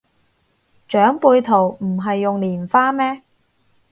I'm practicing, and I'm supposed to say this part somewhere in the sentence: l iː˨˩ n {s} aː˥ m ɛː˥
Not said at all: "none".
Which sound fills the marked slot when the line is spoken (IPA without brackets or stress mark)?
f